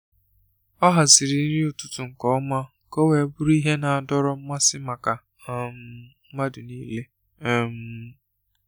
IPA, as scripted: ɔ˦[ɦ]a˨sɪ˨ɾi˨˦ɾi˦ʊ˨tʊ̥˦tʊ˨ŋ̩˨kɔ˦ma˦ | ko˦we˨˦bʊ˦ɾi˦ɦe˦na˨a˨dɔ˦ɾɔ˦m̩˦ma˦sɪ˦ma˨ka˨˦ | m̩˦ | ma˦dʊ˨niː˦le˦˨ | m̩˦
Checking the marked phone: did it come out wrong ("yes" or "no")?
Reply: no